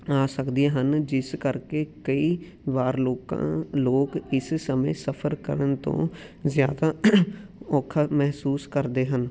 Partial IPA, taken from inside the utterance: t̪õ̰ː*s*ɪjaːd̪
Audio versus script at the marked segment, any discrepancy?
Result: yes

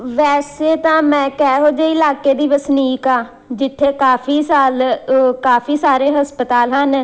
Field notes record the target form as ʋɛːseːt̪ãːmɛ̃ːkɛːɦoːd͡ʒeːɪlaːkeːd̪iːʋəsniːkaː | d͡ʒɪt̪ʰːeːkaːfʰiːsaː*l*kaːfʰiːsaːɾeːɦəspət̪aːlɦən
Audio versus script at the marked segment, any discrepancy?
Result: no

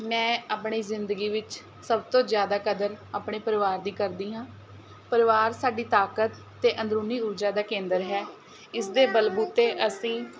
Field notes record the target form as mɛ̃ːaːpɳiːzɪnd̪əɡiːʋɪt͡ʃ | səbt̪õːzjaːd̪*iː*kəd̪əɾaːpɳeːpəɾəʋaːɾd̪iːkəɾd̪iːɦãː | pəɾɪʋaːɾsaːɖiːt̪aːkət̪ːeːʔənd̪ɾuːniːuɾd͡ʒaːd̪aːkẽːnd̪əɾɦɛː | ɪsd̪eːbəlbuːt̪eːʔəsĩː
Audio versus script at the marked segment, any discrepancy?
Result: yes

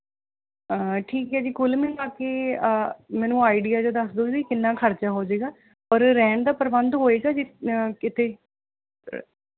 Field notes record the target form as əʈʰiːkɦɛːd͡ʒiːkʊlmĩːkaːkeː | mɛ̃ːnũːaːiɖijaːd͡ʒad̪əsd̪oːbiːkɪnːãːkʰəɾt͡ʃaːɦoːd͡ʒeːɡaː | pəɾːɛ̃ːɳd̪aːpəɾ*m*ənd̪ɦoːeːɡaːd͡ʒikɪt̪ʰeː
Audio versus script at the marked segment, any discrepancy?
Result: yes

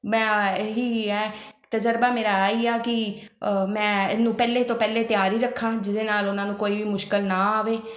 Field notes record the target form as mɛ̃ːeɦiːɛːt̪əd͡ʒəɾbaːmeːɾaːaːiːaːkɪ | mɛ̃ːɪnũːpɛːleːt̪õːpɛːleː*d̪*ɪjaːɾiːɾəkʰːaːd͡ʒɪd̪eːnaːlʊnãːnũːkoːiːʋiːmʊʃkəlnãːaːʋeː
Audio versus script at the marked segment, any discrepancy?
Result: yes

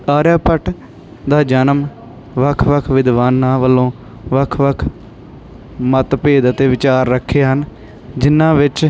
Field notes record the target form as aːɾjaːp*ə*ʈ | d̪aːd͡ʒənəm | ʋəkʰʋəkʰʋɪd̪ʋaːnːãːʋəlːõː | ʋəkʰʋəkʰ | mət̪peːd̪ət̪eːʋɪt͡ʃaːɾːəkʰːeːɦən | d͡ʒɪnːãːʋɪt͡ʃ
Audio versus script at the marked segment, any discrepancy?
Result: no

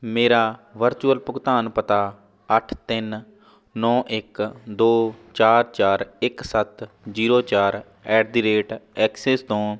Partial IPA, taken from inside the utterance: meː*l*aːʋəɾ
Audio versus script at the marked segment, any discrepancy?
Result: yes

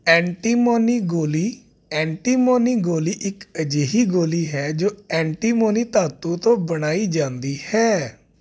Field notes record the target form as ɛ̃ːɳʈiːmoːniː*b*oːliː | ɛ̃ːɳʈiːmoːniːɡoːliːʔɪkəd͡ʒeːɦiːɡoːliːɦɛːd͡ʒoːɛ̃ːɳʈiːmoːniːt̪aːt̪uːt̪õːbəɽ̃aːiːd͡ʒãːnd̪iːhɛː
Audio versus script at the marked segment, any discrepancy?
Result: yes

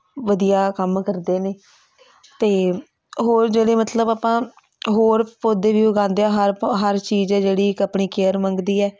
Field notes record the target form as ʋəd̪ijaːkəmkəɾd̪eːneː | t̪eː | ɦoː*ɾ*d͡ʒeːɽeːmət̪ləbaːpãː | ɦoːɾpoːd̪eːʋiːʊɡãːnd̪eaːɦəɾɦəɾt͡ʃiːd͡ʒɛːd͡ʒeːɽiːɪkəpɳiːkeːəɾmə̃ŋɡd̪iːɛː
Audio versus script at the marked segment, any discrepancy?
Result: no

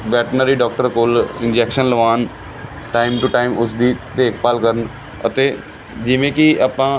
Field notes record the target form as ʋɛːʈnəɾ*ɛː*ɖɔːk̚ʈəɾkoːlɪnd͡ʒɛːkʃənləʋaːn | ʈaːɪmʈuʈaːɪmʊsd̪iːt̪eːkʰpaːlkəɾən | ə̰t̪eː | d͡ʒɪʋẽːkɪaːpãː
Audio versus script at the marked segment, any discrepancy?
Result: yes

